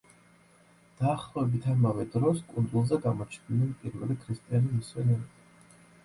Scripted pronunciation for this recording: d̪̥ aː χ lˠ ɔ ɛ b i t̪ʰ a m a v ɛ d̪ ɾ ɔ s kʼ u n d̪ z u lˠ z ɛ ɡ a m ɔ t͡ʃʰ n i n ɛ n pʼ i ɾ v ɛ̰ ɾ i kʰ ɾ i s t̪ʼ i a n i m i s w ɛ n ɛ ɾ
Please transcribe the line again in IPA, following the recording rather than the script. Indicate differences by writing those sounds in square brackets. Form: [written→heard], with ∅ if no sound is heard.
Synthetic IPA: d̪̥ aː χ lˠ ɔ ɛ b i t̪ʰ a m a v ɛ d̪ ɾ ɔ s kʼ u n d̪ z u lˠ z ɛ ɡ a m ɔ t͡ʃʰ n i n ɛ n pʼ i ɾ v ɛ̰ [ɾ→l] i kʰ ɾ i s t̪ʼ i a n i m i s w ɛ n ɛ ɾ